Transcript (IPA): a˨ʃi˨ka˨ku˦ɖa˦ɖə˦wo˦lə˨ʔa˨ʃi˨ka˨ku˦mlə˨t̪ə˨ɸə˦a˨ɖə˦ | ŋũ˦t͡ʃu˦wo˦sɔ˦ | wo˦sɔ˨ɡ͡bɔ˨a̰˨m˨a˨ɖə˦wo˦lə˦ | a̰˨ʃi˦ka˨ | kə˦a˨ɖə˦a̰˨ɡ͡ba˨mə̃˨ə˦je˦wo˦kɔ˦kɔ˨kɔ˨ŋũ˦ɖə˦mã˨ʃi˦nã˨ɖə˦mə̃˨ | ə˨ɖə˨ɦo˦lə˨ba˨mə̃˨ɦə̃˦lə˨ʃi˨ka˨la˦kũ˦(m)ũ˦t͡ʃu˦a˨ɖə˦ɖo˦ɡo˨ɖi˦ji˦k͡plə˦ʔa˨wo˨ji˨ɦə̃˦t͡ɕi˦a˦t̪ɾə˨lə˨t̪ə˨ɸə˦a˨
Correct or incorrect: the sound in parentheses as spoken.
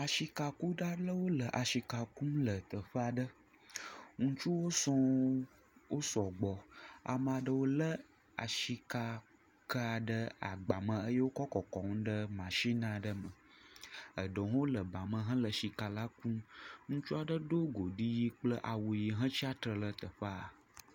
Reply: incorrect: ŋ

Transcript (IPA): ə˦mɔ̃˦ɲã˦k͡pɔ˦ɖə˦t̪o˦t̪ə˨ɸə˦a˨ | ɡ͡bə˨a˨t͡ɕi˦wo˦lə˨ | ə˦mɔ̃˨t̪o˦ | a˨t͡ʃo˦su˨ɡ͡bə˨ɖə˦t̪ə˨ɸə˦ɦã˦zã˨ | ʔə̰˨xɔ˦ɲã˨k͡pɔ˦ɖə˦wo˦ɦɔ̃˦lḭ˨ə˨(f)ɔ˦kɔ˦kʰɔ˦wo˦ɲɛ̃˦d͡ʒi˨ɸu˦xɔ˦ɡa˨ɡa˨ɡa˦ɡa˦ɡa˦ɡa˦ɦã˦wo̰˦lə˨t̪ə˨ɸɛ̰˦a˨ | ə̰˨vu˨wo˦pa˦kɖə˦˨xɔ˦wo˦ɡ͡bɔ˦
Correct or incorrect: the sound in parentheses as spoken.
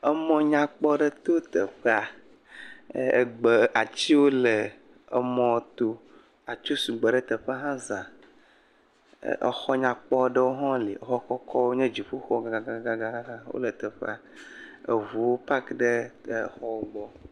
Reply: incorrect: x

